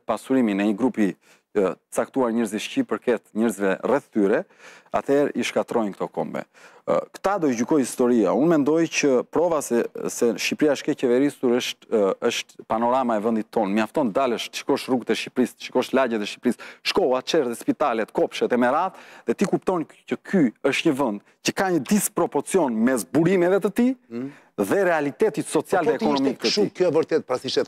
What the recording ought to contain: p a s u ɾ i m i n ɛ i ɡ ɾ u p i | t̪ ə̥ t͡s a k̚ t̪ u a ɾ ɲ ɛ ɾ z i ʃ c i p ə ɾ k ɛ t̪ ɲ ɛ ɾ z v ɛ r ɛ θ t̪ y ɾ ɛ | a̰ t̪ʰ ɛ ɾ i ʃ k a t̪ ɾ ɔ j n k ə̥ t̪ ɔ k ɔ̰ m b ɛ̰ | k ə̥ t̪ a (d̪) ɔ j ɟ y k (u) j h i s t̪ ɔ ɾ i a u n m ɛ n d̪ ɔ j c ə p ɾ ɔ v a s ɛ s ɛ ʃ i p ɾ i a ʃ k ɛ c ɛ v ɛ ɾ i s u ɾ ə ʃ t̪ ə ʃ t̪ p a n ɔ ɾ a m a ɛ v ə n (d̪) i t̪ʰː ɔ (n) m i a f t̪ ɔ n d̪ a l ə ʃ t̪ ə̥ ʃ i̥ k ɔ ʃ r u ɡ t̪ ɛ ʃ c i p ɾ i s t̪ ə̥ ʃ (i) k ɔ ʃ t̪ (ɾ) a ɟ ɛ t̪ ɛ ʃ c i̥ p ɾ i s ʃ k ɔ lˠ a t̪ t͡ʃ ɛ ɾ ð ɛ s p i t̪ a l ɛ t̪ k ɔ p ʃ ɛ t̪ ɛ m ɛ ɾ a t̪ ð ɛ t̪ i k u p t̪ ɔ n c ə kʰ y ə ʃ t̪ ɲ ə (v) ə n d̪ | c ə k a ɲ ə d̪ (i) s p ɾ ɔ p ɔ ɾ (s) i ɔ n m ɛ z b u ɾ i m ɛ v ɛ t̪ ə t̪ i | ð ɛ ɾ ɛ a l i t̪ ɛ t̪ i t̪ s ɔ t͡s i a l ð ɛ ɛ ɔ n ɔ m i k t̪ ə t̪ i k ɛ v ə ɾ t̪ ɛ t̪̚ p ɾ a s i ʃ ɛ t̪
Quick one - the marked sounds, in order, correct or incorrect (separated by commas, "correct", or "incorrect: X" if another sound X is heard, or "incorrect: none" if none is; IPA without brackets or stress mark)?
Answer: correct, incorrect: ɔ, correct, correct, correct, incorrect: l, correct, correct, incorrect: t͡s